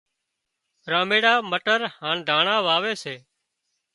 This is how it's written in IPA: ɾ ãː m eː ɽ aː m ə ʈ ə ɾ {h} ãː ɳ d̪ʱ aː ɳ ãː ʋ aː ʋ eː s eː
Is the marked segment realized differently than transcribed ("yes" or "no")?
no